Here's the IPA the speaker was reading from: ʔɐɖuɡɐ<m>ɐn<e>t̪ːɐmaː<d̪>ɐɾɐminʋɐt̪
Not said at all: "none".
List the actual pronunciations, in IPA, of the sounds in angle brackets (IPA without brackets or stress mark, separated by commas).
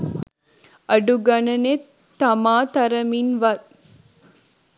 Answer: n, e, t̪